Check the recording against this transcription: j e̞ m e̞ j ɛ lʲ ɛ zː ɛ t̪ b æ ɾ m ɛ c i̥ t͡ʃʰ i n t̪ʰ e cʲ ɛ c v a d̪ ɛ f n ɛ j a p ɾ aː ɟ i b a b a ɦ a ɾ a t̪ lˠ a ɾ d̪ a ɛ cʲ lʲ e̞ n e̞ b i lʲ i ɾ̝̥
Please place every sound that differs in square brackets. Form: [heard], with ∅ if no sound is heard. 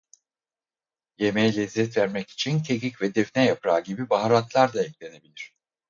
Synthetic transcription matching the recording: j e̞ m e̞ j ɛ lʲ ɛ zː ɛ t̪ [v] æ ɾ m ɛ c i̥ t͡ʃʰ i n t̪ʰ e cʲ [i] c v [ɛ] d̪ ɛ f n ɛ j a p ɾ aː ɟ i b [i] b a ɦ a ɾ a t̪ lˠ a ɾ d̪ a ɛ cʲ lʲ e̞ n e̞ b i lʲ i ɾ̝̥